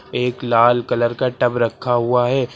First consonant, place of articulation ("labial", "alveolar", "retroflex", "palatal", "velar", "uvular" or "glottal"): velar